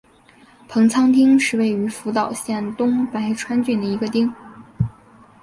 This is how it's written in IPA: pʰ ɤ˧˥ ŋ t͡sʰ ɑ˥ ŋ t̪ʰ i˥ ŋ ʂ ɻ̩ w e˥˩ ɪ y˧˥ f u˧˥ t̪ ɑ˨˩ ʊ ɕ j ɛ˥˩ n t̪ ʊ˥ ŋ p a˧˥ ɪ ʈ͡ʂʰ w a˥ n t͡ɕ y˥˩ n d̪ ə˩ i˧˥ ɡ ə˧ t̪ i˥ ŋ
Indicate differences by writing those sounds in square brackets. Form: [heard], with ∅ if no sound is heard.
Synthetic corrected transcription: pʰ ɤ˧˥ ŋ t͡sʰ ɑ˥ ŋ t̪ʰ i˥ ŋ ʂ ɻ̩ w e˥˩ ɪ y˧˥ f u˧˥ t̪ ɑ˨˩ ʊ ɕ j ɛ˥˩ n t̪ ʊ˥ ŋ p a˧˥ ɪ ʈ͡ʂʰ w a˥ n t͡ɕ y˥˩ n d̪ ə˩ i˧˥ ɡ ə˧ t̪ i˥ ŋ